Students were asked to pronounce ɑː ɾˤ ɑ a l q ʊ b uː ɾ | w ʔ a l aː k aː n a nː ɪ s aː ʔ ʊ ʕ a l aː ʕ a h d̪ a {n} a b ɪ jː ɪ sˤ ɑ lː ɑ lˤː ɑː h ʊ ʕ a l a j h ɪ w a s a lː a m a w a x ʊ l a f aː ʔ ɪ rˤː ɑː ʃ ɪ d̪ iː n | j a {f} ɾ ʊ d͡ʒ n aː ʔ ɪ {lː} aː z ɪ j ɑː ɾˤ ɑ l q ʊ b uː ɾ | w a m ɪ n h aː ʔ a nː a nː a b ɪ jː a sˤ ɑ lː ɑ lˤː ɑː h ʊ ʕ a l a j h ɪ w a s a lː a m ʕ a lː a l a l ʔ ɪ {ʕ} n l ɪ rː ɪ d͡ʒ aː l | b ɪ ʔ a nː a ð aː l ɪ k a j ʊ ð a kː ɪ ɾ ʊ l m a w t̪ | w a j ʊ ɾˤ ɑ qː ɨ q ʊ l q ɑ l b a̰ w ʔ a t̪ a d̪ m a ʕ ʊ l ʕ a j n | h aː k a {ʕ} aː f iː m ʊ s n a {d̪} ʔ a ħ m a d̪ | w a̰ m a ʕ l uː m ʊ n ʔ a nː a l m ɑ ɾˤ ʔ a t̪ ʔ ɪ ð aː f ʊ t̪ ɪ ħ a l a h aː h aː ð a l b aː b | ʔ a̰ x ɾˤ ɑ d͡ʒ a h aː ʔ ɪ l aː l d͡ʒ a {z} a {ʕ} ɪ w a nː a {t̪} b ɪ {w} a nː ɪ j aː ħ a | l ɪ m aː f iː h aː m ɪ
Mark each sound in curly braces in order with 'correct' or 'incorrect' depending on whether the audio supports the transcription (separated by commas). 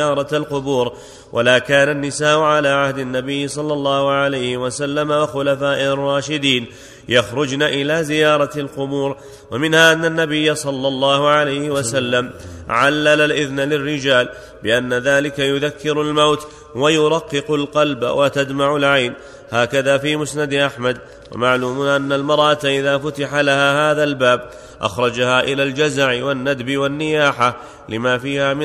incorrect, incorrect, incorrect, incorrect, incorrect, correct, correct, correct, incorrect, correct